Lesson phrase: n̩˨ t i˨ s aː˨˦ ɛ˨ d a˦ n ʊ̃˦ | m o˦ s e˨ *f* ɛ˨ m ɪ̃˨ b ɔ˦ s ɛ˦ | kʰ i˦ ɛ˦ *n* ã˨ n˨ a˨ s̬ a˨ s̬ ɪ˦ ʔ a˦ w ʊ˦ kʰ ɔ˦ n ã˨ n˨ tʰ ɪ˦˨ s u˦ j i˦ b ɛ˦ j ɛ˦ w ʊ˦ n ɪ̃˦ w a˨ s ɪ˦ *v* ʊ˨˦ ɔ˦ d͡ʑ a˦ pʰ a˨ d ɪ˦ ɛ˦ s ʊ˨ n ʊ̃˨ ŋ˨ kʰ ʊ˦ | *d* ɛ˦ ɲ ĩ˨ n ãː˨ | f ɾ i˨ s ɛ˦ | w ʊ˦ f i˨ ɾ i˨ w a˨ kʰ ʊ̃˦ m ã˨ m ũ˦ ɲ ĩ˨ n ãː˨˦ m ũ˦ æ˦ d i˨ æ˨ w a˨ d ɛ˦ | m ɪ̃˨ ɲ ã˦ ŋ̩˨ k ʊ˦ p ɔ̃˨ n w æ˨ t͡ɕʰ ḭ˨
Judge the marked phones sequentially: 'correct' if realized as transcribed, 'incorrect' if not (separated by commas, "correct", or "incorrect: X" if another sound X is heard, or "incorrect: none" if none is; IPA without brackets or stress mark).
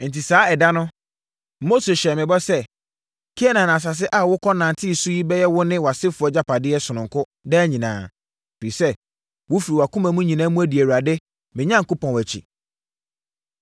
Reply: incorrect: ɕ, correct, incorrect: f, correct